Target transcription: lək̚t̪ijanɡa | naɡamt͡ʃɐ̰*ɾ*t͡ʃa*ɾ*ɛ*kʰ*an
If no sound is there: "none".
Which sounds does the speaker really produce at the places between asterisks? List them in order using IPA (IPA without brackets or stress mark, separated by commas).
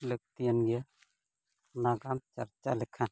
ɾ, l, kʰ